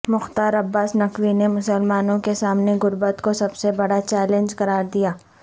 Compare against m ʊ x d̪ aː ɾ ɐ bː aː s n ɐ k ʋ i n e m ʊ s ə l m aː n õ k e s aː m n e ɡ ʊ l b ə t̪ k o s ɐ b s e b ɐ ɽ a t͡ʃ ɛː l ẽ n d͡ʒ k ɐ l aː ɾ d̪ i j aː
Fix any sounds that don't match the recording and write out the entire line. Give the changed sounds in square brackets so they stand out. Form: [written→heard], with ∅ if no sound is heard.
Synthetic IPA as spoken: m ʊ x [d̪→t̪] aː ɾ ɐ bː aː s n ɐ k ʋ i n e m ʊ s ə l m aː n õ k e s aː m n e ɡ ʊ [l→ɾ] b ə t̪ k o s ɐ b s e b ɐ ɽ a t͡ʃ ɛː l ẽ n d͡ʒ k ɐ [l→ɾ] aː ɾ d̪ i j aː